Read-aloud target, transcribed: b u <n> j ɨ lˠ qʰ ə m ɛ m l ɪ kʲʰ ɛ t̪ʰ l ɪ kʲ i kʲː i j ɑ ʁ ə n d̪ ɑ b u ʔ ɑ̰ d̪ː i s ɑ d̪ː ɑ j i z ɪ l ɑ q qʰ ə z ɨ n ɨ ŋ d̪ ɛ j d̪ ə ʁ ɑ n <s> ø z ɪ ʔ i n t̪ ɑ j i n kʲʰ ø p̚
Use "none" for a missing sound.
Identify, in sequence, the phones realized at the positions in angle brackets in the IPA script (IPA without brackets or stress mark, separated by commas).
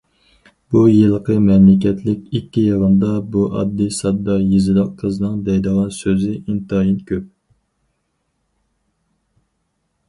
none, s